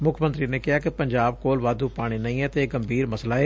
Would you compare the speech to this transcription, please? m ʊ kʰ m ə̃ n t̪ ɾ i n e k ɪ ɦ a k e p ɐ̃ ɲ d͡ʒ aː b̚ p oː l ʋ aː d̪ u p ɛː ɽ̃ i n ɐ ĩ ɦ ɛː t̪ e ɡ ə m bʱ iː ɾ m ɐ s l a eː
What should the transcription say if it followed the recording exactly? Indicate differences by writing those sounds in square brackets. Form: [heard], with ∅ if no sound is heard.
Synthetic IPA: m ʊ kʰ m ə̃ n t̪ ɾ i n e k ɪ ɦ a k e p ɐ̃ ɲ d͡ʒ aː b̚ [k] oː l ʋ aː d̪ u p [aː] ɽ̃ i n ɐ ĩ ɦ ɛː t̪ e ɡ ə m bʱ iː ɾ m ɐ s l a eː